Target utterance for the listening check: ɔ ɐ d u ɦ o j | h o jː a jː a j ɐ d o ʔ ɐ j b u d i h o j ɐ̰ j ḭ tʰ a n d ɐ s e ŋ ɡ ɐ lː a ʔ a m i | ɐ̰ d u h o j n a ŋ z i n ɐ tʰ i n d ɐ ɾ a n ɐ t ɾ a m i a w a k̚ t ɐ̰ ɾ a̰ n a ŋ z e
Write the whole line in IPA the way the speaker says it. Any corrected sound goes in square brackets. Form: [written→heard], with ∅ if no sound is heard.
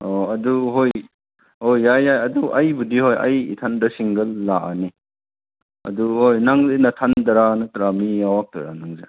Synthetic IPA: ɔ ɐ d u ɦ o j | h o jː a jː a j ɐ d [o→u] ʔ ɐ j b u d i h o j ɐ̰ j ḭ tʰ a n d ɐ s [e→i] ŋ ɡ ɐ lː a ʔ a [m→n] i | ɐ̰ d u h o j n a ŋ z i n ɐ tʰ [i→a] n d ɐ ɾ a n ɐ t ɾ a m i a w a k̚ t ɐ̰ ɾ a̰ n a ŋ z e